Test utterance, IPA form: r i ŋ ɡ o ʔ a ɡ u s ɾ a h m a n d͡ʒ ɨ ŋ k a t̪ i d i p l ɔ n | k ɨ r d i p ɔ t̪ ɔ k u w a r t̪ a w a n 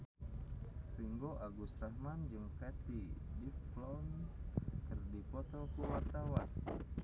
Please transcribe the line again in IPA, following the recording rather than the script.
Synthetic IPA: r i ŋ ɡ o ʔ a ɡ u s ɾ a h m a n d͡ʒ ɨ ŋ k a t̪ i d i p l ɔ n | k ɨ r d i p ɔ t̪ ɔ k u w a r t̪ a w a n